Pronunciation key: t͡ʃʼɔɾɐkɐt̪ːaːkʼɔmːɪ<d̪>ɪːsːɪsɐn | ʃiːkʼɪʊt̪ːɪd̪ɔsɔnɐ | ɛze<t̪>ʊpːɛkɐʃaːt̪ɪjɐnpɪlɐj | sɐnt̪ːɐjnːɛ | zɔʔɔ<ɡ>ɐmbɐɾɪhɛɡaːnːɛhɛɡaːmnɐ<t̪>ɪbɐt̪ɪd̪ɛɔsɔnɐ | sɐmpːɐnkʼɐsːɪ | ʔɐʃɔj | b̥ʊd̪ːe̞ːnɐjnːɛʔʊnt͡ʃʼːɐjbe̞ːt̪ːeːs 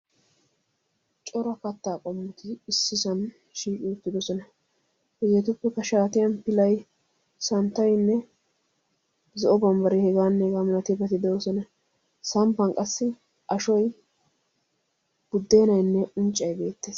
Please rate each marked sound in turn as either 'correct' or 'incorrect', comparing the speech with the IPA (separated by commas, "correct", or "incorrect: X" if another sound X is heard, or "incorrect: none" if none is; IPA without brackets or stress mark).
incorrect: t̪, correct, incorrect: b, correct